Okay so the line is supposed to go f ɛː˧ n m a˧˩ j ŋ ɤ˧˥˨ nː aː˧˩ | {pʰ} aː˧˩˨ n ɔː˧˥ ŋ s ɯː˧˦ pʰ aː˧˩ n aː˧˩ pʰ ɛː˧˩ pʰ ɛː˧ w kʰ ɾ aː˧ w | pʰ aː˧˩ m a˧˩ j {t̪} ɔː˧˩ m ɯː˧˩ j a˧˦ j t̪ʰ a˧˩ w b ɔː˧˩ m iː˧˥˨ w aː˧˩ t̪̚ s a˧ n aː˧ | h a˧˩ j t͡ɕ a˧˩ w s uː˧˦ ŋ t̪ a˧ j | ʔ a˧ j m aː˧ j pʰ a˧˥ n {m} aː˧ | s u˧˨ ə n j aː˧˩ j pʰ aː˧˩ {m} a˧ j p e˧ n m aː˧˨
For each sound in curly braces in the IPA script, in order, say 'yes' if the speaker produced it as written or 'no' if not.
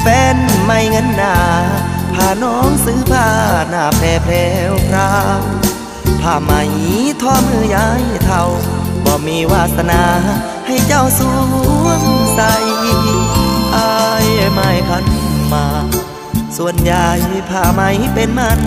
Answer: yes, no, yes, yes

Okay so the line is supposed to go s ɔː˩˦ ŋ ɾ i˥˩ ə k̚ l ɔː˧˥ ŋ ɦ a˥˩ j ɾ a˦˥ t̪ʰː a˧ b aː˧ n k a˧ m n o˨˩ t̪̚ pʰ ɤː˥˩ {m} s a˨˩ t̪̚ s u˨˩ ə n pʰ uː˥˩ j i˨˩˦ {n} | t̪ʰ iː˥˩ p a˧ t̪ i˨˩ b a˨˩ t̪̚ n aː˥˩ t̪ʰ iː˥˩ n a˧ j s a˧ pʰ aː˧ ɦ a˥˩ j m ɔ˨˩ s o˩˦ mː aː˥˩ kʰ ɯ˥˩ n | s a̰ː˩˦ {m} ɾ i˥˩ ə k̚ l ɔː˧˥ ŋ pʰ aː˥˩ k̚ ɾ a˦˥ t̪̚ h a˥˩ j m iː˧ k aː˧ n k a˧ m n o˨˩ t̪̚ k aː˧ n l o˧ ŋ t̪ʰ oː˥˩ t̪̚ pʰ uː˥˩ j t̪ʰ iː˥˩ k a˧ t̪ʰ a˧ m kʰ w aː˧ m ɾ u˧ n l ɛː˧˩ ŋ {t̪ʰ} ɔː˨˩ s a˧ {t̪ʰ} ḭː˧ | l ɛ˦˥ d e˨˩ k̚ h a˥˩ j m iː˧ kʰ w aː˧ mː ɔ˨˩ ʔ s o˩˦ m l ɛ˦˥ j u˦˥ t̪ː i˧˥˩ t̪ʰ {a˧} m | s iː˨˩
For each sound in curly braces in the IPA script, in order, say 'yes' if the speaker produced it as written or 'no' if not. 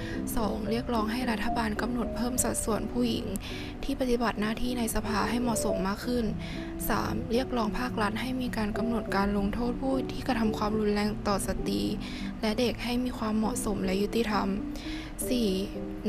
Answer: yes, no, yes, no, no, yes

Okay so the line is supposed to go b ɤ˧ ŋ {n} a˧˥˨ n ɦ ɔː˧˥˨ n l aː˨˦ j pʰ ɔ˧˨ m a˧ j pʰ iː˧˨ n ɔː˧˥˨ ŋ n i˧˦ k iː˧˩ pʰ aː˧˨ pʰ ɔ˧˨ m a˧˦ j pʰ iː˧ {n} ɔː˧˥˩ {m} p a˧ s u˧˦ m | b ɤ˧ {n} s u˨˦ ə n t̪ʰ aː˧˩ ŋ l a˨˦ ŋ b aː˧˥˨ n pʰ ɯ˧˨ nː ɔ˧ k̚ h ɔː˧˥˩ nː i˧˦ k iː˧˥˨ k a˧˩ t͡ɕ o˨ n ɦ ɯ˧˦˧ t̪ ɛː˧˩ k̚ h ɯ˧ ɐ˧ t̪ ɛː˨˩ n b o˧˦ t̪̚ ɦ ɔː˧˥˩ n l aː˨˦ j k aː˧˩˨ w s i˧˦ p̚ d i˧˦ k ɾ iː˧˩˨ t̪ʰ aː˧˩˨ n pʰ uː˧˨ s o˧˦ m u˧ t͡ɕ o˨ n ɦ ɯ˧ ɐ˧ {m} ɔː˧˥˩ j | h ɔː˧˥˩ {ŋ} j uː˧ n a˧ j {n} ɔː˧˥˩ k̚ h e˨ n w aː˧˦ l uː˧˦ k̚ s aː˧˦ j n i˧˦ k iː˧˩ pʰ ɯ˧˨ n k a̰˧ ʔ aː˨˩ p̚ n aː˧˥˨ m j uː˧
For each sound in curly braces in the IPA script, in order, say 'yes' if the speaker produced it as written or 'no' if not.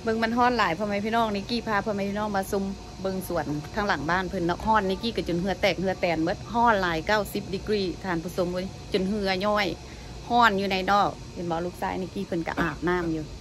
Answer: no, yes, no, no, no, no, yes

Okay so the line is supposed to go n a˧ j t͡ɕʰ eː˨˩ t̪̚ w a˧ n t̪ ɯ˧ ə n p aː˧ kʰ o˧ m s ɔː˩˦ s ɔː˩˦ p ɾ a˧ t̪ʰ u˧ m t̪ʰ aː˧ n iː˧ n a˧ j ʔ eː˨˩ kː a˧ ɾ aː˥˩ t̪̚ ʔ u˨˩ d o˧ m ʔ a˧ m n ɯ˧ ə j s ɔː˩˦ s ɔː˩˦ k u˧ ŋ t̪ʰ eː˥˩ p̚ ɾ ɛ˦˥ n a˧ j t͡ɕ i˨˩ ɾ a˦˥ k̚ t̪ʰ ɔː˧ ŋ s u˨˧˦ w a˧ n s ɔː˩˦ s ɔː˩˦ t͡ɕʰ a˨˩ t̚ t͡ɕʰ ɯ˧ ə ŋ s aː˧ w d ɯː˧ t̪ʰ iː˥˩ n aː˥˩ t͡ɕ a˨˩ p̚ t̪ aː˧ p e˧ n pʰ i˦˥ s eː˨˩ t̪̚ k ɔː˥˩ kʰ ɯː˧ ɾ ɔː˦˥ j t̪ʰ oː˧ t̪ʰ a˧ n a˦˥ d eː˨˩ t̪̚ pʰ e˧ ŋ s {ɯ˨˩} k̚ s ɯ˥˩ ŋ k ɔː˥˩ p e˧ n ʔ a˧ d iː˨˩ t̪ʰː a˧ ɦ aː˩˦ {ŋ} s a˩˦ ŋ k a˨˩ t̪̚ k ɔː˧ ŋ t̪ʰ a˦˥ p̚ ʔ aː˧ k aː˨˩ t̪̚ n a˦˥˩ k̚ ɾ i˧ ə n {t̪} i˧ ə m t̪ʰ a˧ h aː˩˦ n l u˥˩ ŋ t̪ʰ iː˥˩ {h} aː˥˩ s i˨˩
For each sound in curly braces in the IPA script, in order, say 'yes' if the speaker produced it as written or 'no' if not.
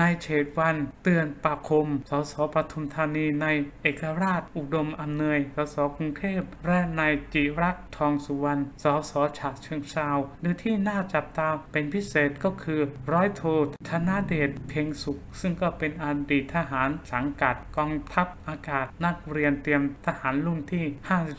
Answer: no, no, yes, yes

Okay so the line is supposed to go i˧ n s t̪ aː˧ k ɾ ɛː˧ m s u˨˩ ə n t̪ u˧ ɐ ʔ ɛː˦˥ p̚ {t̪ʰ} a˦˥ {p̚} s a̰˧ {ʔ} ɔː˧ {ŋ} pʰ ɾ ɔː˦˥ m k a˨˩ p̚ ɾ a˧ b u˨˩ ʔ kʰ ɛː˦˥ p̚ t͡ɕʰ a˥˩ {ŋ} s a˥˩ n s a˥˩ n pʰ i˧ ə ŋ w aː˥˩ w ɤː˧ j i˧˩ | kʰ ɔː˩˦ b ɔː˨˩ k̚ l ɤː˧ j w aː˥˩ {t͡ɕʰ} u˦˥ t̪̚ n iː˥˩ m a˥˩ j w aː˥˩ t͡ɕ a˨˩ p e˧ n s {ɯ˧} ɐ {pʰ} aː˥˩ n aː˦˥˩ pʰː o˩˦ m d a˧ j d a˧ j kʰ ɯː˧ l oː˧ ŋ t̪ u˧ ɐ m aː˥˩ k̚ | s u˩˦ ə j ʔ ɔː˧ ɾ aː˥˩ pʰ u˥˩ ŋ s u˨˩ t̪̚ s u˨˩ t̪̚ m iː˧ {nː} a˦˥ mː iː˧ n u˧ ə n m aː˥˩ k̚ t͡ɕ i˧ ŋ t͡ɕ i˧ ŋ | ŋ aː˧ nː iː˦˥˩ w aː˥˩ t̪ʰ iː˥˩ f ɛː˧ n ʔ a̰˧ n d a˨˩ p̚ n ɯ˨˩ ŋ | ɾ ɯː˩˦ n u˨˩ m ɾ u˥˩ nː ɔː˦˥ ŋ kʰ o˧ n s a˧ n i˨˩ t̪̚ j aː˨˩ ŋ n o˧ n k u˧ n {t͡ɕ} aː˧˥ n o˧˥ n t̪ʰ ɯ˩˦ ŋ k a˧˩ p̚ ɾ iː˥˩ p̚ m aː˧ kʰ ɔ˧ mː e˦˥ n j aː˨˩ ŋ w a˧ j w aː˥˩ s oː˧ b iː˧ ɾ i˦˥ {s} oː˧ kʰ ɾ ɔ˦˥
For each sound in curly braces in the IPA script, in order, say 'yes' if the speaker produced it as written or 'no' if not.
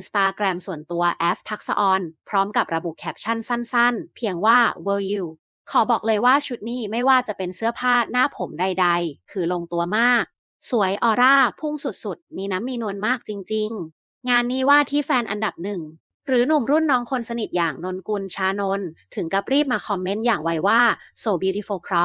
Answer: yes, no, yes, no, no, yes, no, yes, no, no, no

